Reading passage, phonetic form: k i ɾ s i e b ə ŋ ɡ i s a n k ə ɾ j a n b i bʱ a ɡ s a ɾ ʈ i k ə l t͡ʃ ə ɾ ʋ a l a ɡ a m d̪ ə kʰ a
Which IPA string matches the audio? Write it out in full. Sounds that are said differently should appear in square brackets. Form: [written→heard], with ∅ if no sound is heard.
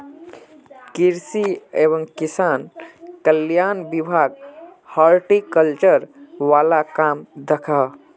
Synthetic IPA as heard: k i ɾ s i e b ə ŋ [ɡ→k] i s a n k ə [ɾ→l] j a n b i bʱ a ɡ [s→h] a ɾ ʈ i k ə l t͡ʃ ə ɾ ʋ a l a [ɡ→k] a m d̪ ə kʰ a